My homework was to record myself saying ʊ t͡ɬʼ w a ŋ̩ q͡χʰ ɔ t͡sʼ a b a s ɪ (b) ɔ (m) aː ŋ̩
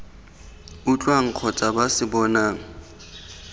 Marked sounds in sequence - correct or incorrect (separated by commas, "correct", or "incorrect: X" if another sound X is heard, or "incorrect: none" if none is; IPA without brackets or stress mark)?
correct, incorrect: n